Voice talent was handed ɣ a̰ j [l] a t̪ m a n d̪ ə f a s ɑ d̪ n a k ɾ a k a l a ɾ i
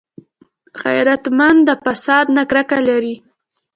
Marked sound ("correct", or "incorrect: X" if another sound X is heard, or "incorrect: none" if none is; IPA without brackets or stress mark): incorrect: ɾ